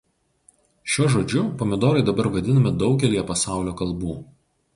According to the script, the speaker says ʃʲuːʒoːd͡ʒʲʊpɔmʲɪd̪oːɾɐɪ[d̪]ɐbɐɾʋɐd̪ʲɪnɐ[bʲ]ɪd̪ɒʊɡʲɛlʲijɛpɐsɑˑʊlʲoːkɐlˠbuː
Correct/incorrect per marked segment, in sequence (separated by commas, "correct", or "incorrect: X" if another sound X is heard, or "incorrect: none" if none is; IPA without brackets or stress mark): correct, incorrect: mʲ